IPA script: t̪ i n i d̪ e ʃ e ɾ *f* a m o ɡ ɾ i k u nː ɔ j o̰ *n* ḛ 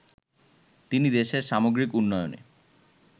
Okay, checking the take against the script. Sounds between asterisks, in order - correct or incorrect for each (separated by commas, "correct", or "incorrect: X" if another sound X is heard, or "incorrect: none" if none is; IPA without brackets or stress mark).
incorrect: ʃ, correct